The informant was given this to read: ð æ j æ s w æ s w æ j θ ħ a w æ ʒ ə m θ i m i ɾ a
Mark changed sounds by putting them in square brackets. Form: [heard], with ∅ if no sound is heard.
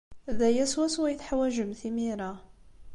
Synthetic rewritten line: ð æ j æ s w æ s w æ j θ ħ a w æ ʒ ə m θ i m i ɾ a